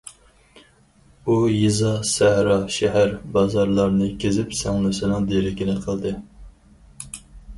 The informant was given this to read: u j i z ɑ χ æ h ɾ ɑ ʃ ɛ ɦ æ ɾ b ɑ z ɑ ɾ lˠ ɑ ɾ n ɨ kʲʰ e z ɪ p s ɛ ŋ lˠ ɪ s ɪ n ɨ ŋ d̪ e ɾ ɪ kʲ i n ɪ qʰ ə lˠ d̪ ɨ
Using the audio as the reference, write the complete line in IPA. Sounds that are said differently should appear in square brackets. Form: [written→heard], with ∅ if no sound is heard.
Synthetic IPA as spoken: u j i z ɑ [χ→s] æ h ɾ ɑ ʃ ɛ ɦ æ ɾ b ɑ z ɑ ɾ lˠ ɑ ɾ n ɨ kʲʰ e z ɪ p s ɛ ŋ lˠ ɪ s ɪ n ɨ ŋ d̪ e ɾ ɪ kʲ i n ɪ qʰ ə lˠ d̪ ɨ